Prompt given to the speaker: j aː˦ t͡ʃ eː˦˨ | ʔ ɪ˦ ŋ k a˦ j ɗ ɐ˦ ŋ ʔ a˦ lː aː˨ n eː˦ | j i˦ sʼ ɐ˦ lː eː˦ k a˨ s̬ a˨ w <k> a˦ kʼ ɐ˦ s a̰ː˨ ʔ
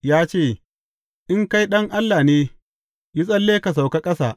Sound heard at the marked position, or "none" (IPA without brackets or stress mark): k